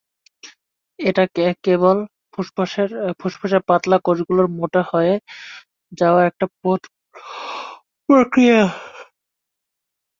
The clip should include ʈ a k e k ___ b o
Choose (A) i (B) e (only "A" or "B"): B